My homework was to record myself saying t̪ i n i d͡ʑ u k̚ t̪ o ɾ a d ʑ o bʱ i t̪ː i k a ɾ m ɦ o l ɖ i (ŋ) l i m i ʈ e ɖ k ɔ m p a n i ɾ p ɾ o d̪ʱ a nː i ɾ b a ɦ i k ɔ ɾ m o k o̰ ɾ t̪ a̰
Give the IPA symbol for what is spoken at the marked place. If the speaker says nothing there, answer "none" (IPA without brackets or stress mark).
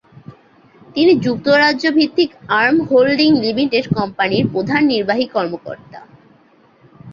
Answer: ŋ